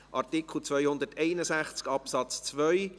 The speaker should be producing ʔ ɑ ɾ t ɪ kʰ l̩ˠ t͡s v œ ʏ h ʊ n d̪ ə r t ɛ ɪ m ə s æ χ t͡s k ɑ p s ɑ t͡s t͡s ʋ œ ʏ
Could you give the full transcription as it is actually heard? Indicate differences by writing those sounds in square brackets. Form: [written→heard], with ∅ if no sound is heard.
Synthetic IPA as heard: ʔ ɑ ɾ t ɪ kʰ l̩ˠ t͡s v œ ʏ h ʊ n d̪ ə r t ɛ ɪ [m→n] ə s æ χ t͡s k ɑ p s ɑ t͡s t͡s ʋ œ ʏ